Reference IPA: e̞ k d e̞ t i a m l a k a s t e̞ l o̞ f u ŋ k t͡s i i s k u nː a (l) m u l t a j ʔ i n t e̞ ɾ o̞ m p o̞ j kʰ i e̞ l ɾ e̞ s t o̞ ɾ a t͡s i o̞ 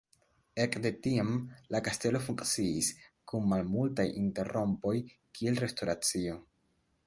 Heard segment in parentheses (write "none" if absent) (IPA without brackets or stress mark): l